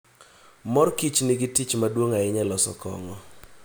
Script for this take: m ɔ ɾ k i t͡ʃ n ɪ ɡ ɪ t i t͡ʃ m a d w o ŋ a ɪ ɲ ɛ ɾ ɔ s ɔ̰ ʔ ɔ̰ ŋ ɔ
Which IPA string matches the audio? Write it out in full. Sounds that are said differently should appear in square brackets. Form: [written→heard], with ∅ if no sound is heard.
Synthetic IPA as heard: m ɔ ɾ k i t͡ʃ n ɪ ɡ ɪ t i t͡ʃ m a d w o ŋ a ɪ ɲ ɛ [ɾ→l] ɔ s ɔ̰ [ʔ→k] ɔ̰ ŋ ɔ